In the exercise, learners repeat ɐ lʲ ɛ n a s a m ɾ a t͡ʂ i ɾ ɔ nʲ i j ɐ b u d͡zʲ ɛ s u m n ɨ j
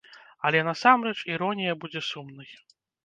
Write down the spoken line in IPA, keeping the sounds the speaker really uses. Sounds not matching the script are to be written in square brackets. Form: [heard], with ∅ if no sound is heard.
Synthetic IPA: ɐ lʲ ɛ n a s a m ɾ [ɛ] t͡ʂ i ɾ ɔ nʲ i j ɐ b u d͡zʲ ɛ s u m n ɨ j